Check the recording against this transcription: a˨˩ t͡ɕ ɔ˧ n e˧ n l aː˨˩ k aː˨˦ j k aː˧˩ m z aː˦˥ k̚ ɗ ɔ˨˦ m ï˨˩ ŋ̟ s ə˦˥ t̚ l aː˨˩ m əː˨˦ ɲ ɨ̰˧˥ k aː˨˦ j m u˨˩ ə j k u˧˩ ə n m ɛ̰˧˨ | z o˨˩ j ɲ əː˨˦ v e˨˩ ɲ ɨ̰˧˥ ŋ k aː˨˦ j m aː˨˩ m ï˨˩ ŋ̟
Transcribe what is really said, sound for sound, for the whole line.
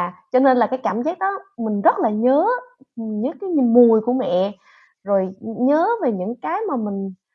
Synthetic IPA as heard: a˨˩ t͡ɕ ɔ˧ n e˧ n l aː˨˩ k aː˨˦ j k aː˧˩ m z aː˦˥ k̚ ɗ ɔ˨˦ m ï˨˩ ŋ̟ z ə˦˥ t̚ l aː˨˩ ɲ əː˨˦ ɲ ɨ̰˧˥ k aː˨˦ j m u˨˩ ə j k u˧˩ ə m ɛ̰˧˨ | z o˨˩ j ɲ əː˨˦ v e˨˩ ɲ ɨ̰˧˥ ŋ k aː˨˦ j m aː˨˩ m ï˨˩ ŋ̟